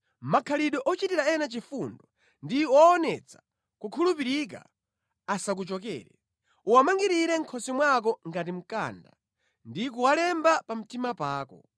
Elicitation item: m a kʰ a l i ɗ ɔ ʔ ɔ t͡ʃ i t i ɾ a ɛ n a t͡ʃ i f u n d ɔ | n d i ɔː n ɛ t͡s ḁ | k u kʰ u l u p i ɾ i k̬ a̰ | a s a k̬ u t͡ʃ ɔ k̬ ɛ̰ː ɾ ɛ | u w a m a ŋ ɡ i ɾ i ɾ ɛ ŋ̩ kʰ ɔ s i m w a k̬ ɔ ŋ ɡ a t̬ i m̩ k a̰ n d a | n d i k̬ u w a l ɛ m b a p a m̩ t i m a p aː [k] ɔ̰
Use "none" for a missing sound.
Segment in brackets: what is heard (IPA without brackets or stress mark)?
k